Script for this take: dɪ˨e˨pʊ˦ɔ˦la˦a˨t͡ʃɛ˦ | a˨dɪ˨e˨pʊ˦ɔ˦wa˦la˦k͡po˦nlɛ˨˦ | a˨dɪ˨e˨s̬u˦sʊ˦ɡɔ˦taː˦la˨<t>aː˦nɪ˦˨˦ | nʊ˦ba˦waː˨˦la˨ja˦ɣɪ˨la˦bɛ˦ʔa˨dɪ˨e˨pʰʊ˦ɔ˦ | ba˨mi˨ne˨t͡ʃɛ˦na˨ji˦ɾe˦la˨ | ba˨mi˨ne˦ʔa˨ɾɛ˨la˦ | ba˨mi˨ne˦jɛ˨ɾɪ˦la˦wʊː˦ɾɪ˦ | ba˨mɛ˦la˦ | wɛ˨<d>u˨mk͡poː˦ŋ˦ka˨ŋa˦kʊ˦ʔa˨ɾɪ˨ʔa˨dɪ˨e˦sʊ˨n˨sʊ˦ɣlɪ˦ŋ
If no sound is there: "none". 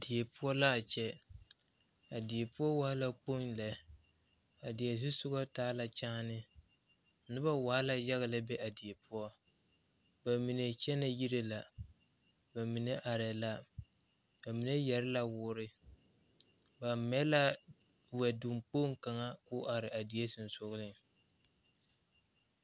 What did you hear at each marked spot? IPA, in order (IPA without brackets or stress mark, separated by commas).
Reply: t͡ʃ, d